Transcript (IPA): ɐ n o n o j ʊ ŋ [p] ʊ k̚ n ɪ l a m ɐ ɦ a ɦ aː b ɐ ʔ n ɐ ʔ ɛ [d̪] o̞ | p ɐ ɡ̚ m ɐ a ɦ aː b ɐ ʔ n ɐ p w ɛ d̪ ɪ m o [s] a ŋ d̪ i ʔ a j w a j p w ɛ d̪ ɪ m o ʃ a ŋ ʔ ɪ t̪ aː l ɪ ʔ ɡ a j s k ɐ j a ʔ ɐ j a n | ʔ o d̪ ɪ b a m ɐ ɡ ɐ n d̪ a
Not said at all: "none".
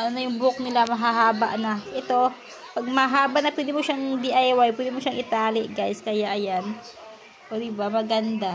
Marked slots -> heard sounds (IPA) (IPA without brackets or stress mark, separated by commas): b, t̪, ʃ